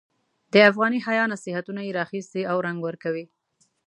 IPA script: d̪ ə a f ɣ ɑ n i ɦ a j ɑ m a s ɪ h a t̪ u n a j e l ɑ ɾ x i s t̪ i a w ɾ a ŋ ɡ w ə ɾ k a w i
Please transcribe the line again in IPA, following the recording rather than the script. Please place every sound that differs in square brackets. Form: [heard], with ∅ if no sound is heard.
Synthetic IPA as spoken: d̪ ə a f ɣ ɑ n i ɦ a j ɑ [n] a s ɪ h a t̪ u n a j e [ɾ] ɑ [∅] x i s t̪ i a w ɾ a ŋ ɡ w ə ɾ k a w i